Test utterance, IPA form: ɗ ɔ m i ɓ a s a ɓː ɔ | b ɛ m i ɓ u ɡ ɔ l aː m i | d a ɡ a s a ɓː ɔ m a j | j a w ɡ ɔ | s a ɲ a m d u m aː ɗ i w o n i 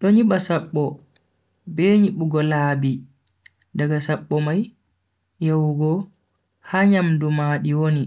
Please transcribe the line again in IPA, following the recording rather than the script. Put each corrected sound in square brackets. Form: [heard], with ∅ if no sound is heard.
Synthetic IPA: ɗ ɔ [ɲ] i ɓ a s a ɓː ɔ | b ɛ [ɲ] i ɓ u ɡ ɔ l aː [b] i | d a ɡ a s a ɓː ɔ m a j | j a w ɡ ɔ | [h] a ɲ a m d u m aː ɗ i w o n i